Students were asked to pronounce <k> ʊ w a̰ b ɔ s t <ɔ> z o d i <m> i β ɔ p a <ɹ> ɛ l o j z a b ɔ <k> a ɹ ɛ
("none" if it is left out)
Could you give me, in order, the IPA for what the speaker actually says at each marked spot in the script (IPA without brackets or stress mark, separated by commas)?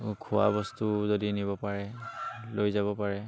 kʰ, u, n, ɹ, p